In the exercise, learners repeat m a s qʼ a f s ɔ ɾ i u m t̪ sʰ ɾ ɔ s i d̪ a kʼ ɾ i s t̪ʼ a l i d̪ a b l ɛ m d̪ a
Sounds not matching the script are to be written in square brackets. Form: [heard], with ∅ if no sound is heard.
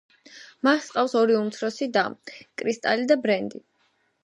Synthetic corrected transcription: m a s qʼ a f s ɔ ɾ i u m t̪ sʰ ɾ ɔ s i d̪ a kʼ ɾ i s t̪ʼ a l i d̪ a b [ɾ] ɛ [n] d̪ [i]